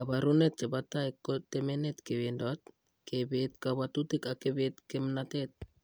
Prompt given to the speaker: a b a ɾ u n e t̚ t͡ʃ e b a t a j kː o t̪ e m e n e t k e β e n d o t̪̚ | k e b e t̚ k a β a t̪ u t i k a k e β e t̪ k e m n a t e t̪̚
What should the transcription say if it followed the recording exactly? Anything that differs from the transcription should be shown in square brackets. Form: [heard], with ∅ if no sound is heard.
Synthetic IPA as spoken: a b a ɾ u n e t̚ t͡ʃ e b a t a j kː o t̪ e m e n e t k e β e n d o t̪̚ | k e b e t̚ k a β a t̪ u t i k a k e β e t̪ k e m n a t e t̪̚